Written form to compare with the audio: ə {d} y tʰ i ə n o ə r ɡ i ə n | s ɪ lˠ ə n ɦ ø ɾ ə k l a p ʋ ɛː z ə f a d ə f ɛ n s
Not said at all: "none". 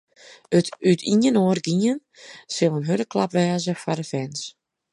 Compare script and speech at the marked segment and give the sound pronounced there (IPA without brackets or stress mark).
t